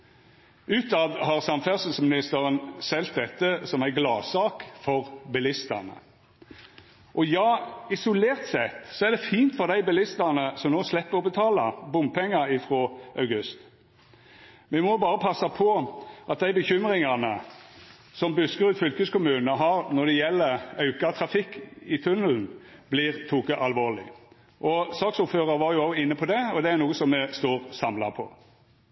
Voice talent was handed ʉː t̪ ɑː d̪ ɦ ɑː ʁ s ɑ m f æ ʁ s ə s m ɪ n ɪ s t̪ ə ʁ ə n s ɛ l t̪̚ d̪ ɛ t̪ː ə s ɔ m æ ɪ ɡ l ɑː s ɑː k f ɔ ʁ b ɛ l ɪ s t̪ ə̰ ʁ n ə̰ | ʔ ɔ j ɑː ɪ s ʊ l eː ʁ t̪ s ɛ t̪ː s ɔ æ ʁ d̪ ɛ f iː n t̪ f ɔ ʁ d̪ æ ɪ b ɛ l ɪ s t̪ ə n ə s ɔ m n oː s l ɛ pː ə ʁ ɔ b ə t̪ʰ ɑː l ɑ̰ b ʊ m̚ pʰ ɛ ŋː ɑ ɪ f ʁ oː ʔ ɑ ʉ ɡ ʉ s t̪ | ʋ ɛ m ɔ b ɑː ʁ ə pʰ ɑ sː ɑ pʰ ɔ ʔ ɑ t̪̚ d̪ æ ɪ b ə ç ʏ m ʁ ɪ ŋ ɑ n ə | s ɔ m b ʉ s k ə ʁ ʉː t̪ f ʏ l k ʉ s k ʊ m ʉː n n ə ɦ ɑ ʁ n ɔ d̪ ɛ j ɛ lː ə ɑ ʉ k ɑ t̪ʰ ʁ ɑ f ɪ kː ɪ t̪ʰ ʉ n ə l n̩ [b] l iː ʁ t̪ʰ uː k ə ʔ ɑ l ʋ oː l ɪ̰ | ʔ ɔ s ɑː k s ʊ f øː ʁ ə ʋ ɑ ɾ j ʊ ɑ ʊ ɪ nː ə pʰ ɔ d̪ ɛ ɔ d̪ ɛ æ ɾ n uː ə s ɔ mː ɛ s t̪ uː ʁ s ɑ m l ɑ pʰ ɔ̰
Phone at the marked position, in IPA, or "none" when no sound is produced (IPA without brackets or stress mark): b